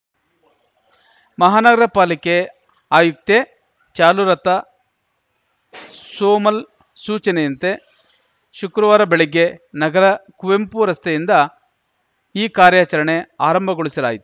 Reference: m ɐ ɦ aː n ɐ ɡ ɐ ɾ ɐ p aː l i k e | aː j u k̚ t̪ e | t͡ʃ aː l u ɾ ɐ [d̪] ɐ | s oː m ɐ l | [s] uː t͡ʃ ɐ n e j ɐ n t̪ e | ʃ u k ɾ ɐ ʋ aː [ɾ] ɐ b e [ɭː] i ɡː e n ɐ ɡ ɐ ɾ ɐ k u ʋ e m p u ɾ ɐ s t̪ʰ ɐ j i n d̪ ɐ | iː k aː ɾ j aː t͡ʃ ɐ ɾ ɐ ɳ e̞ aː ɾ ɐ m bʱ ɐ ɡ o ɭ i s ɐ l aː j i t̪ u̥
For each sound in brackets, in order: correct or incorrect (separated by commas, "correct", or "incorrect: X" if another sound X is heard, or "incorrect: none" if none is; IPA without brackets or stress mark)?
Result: incorrect: t̪, correct, correct, incorrect: ɭ